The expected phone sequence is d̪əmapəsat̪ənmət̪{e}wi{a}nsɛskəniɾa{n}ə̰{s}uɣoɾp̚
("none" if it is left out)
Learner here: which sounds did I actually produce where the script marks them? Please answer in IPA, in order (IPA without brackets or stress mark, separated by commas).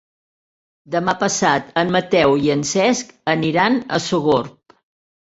ɛ, ə, n, s